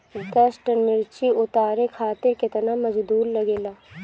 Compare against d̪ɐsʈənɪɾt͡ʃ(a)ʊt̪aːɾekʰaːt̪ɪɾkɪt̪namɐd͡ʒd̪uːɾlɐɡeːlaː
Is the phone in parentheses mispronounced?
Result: yes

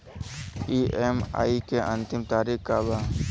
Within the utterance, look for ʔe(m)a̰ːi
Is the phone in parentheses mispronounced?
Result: no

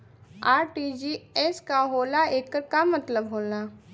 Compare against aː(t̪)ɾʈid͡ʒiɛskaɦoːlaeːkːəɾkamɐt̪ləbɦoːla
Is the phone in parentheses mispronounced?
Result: yes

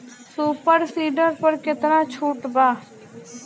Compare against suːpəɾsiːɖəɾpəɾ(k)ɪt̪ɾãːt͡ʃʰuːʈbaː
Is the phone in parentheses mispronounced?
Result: no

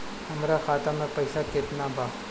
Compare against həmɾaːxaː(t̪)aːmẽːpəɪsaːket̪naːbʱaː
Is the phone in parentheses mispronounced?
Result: no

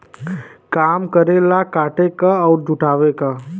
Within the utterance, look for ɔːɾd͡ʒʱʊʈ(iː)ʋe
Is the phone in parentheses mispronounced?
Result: yes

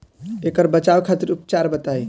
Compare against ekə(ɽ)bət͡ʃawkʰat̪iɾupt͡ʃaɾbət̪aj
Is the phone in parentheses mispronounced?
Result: yes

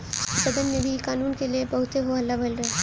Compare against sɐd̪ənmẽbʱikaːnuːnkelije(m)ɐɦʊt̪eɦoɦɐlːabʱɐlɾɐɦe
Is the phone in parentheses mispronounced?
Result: yes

